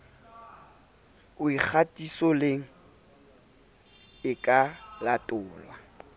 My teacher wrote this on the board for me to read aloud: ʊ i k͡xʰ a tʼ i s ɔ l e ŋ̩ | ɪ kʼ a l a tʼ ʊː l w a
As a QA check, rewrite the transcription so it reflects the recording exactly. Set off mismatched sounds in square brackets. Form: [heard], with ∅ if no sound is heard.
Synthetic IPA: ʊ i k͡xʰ a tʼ i s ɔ l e ŋ̩ | ɪ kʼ a l a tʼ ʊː l w a